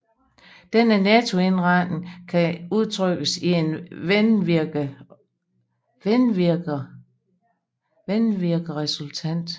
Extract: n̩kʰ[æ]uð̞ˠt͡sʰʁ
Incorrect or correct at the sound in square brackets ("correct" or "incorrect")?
correct